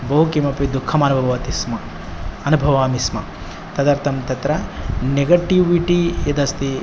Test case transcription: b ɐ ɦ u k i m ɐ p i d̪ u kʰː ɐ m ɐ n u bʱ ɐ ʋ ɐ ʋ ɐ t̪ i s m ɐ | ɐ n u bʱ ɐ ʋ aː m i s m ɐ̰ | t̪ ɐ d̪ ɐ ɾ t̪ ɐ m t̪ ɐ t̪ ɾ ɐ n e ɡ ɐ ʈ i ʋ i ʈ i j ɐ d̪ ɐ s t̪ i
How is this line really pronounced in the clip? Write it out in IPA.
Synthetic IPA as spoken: b ɐ ɦ u k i m ɐ p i d̪ u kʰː ɐ m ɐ n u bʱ ɐ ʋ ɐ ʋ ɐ t̪ i s m ɐ | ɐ n u bʱ ɐ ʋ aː m i s m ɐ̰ | t̪ ɐ d̪ ɐ ɾ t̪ ɐ m t̪ ɐ t̪ ɾ ɐ n e ɡ ɐ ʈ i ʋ i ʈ i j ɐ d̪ ɐ s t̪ i

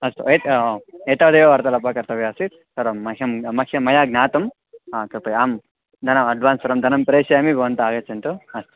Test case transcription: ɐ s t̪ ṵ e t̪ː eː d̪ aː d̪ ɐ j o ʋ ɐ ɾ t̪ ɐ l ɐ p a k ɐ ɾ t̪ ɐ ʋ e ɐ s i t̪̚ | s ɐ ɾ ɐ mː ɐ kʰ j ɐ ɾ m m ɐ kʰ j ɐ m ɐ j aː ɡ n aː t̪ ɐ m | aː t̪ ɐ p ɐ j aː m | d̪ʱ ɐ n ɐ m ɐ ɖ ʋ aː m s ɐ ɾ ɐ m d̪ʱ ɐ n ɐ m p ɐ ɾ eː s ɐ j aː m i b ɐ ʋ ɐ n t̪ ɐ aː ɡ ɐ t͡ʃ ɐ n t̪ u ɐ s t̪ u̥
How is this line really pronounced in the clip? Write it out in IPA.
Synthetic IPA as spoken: ɐ s t̪ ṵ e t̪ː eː t̪ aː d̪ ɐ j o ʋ ɐ ɾ t̪ ɐ l ɐ p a k ɐ ɾ t̪ ɐ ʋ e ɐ s i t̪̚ | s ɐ ɾ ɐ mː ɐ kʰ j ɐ m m ɐ kʰ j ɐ m ɐ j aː ɡ n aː t̪ ɐ m | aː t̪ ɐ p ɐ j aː m | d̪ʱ ɐ n ɐ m ɐ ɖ ʋ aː n s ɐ ɾ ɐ m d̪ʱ ɐ n ɐ m p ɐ ɾ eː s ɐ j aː m i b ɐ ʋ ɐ n t̪ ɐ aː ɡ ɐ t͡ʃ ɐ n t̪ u ɐ s t̪ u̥

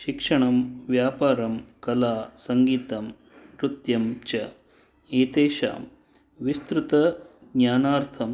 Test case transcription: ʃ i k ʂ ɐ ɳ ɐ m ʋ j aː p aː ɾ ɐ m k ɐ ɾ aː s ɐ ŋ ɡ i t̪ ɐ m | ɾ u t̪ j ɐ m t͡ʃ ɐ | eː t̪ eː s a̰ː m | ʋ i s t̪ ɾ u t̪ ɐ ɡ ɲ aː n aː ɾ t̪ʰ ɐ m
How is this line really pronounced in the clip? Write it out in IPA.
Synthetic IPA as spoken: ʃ i k ʂ ɐ ɳ ɐ m ʋ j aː p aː ɾ ɐ m k ɐ l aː s ɐ ŋ ɡ iː t̪ ɐ m | ɾ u t̪ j ɐ m t͡ʃ ɐ | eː t̪ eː ʃ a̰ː m | ʋ i s t̪ ɾ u t̪ ɐ ɡ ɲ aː n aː ɾ t̪ʰ ɐ m

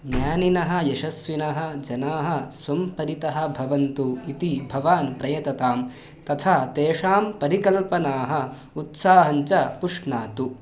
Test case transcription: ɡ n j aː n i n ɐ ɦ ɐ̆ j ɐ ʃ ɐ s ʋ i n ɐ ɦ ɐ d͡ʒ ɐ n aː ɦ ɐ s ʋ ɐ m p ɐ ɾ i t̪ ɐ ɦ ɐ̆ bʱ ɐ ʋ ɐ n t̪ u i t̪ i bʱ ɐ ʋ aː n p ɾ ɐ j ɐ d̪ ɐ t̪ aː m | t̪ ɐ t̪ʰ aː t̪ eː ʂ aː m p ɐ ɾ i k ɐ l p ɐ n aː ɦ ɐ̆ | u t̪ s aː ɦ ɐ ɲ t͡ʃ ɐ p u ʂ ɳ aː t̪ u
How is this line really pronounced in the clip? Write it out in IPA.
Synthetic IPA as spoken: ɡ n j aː n i n ɐ ɦ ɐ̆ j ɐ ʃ ɐ s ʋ i n ɐ ɦ ɐ d͡ʒ ɐ n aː ɦ ɐ s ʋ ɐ m p ɐ ɾ i t̪ ɐ ɦ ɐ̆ bʱ ɐ ʋ ɐ n t̪ u i t̪ i bʱ ɐ ʋ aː n p ɾ ɐ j ɐ t̪ ɐ t̪ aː m | t̪ ɐ t̪ʰ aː t̪ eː ʂ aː m p ɐ ɾ i k ɐ l p ɐ n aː ɦ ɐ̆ | u t̪ s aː ɦ ɐ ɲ t͡ʃ ɐ p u ʂ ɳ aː t̪ u

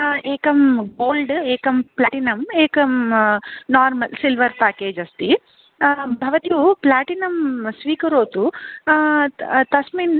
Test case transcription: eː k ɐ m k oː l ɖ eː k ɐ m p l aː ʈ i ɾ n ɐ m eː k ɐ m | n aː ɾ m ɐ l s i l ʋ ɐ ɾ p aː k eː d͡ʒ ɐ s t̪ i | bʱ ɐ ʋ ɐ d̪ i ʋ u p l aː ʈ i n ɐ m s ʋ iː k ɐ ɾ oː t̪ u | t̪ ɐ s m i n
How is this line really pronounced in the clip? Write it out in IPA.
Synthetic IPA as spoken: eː k ɐ m ɡ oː l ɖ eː k ɐ m p l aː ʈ i n ɐ m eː k ɐ m | n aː ɾ m ɐ l s i l ʋ ɐ ɾ p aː k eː d͡ʒ ɐ s t̪ i | bʱ ɐ ʋ ɐ t̪ i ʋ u p l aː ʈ i n ɐ m s ʋ iː k ɐ ɾ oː t̪ u | t̪ ɐ s m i n

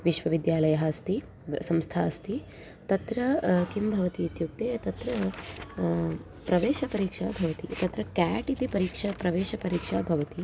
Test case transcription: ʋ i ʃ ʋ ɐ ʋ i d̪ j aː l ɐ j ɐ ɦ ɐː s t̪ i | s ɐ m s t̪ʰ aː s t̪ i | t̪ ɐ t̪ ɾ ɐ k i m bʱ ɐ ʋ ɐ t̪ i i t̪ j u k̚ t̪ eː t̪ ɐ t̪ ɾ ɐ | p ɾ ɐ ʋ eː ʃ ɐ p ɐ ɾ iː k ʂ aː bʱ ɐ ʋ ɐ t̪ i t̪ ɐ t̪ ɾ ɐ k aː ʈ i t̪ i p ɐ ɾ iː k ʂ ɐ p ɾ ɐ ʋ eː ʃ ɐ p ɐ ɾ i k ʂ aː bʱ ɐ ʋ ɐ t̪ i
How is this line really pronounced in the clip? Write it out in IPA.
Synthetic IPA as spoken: ʋ i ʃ ʋ ɐ ʋ i d̪ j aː l ɐ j ɐ ɦ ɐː s t̪ i | s ɐ m s t̪ʰ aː s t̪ i | t̪ ɐ t̪ ɾ ɐ k i m bʱ ɐ ʋ ɐ t̪ i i t̪ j u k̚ t̪ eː t̪ ɐ t̪ ɾ ɐ | p ɾ ɐ ʋ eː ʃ ɐ p ɐ ɾ iː k ʂ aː bʱ ɐ ʋ ɐ t̪ i t̪ ɐ t̪ ɾ ɐ k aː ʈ i t̪ i p ɐ ɾ iː k ʂ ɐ p ɾ ɐ ʋ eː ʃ ɐ p ɐ ɾ iː k ʂ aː bʱ ɐ ʋ ɐ t̪ i

